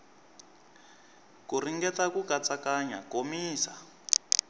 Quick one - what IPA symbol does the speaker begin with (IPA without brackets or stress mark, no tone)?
k